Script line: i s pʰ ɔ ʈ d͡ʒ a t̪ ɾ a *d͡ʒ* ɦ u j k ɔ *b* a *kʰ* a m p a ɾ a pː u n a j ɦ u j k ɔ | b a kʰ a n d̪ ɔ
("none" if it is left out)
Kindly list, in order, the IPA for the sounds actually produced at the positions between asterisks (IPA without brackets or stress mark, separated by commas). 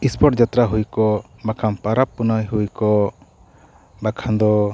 none, b, kʰ